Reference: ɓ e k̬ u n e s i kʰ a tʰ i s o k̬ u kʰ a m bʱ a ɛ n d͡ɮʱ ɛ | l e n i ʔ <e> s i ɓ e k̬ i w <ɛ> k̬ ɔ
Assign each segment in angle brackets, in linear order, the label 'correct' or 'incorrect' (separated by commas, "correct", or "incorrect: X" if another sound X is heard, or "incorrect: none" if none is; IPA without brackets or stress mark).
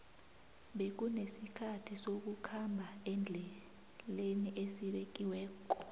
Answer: correct, incorrect: ɛː